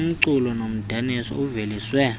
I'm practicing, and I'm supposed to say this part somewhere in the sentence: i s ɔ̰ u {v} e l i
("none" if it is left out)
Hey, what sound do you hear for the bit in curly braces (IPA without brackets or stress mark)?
v